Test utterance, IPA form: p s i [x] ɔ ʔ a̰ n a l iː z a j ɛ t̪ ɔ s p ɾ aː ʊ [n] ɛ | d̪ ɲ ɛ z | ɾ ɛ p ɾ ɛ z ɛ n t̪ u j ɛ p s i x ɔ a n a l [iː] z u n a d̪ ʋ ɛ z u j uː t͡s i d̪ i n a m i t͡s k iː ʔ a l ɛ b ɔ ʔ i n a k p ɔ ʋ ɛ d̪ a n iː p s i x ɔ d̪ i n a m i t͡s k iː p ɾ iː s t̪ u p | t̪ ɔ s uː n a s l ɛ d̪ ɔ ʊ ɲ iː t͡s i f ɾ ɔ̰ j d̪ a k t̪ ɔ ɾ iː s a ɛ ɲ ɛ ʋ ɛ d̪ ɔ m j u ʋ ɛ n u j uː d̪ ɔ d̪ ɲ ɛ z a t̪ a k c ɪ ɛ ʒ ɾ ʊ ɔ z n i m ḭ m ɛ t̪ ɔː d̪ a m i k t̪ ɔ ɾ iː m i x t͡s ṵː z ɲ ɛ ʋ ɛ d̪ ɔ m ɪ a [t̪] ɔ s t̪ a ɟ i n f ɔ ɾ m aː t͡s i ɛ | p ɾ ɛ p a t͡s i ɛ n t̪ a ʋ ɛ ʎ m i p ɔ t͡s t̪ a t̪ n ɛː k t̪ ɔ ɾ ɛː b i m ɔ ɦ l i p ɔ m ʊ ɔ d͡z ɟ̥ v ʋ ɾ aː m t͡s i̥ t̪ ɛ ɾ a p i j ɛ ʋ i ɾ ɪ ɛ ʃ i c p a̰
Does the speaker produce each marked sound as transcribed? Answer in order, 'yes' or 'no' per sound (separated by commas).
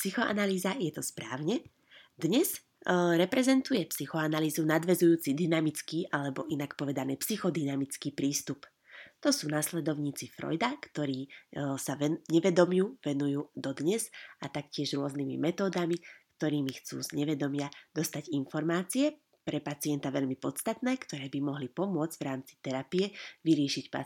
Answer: yes, no, yes, no